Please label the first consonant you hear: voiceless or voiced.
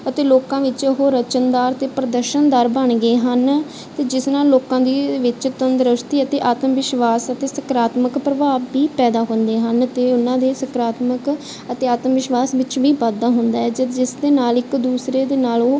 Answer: voiceless